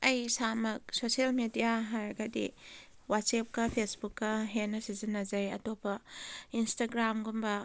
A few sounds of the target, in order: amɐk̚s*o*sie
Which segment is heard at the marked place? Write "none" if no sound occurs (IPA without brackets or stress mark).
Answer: o